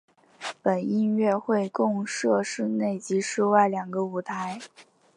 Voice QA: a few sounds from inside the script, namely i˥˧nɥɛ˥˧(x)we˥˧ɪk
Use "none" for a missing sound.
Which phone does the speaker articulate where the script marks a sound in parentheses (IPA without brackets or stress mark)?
x